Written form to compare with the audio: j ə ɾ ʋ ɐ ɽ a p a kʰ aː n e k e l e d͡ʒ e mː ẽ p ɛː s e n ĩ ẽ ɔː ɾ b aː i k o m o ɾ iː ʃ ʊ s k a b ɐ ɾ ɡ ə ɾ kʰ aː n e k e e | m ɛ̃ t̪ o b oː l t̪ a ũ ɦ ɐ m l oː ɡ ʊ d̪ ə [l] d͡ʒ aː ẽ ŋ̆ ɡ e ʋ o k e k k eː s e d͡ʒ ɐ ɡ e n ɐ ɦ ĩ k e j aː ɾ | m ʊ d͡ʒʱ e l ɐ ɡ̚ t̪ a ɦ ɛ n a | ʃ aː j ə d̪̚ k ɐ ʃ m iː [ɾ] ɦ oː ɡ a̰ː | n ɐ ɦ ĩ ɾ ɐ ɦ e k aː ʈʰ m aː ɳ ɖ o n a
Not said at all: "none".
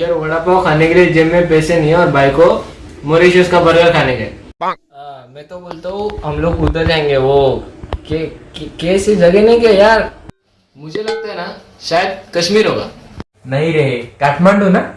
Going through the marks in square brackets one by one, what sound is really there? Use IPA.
ɾ, ɾ

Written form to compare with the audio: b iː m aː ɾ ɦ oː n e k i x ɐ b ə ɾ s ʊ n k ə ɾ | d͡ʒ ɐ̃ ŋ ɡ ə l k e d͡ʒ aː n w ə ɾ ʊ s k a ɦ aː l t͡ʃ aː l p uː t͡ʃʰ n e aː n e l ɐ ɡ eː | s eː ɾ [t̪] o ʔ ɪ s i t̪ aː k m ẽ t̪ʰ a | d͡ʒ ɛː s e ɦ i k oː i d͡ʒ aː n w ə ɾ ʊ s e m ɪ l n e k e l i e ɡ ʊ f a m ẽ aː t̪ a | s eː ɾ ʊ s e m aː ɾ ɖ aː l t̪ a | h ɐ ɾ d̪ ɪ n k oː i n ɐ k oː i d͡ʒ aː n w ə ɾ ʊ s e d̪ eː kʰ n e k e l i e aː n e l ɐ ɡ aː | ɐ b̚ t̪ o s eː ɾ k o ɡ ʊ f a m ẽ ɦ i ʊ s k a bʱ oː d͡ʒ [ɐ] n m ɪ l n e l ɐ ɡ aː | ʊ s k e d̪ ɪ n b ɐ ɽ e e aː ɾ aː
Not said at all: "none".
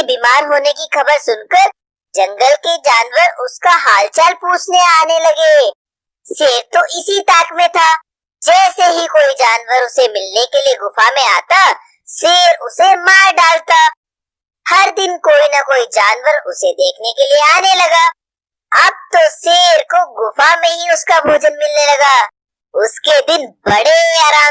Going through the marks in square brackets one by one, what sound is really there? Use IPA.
t̪, ə

